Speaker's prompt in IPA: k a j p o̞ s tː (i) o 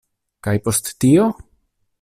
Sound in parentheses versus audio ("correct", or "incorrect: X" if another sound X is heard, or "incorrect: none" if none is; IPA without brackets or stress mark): correct